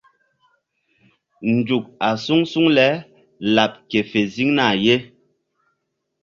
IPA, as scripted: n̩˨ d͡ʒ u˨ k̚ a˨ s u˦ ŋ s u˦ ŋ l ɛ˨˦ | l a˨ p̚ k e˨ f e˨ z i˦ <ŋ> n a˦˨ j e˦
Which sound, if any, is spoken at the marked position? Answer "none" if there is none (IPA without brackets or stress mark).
ŋ